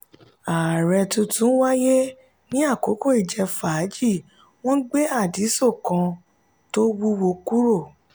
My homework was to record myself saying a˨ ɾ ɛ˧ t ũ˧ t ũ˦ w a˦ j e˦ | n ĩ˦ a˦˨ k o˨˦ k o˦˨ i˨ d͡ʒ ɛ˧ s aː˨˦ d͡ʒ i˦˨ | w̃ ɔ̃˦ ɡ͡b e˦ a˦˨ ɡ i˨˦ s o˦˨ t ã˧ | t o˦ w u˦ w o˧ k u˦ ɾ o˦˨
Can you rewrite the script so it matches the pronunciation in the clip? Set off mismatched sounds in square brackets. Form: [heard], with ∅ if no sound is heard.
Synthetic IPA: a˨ ɾ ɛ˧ t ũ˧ t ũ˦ w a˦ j e˦ | n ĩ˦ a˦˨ k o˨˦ k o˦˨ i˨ d͡ʒ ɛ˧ [f] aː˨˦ d͡ʒ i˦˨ | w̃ ɔ̃˦ ɡ͡b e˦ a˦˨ [d] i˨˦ s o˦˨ [k] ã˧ | t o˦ w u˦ w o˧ k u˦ ɾ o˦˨